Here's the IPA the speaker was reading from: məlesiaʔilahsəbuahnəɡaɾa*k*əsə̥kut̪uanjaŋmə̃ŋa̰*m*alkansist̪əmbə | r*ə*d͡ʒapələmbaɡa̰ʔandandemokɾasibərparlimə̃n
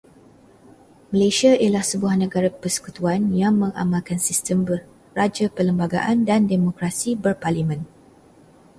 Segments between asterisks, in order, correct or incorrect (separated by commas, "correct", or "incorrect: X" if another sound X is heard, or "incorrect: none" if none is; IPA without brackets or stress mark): incorrect: p, correct, incorrect: a